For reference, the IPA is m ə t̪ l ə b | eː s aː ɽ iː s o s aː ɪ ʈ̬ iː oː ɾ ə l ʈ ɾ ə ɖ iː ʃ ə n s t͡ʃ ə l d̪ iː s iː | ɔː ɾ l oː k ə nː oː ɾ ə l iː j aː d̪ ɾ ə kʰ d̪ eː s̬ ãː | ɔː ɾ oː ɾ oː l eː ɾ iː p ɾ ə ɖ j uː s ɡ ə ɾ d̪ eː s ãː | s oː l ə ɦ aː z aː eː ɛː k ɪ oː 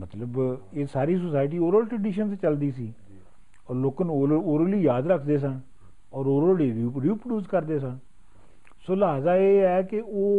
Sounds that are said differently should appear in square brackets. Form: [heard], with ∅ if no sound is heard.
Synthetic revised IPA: m ə t̪ l ə b | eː s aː [ɾ] iː s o s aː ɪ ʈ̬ iː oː ɾ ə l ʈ ɾ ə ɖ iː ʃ ə n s t͡ʃ ə l d̪ iː s iː | ɔː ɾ l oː k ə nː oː ɾ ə l iː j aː d̪ ɾ ə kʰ d̪ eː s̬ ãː | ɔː ɾ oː ɾ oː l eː ɾ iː p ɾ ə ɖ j uː s [k] ə ɾ d̪ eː s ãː | s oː l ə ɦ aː z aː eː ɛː k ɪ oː